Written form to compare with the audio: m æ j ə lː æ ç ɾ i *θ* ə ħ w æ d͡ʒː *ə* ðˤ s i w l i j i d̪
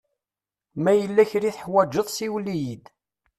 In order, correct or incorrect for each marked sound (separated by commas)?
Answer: correct, correct